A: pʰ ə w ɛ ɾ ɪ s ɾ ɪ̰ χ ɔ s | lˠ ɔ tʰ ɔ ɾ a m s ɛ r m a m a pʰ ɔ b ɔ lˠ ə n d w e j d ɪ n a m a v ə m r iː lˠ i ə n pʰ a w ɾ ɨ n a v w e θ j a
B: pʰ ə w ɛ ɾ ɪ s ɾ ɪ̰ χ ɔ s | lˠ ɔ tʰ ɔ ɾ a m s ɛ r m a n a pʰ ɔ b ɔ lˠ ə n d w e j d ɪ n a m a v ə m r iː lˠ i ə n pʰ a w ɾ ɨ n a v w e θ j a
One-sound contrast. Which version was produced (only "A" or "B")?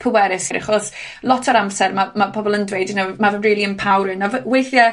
A